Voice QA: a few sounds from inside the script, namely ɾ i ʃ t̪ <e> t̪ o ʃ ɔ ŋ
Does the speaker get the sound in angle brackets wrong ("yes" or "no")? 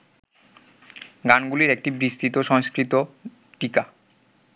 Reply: yes